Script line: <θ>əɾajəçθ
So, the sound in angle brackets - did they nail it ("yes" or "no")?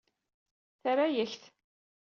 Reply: yes